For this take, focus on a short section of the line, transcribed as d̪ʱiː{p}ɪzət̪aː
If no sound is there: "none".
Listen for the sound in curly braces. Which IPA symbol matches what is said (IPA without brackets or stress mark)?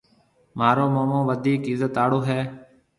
k